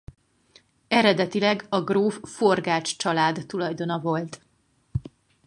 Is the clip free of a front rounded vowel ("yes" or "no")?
yes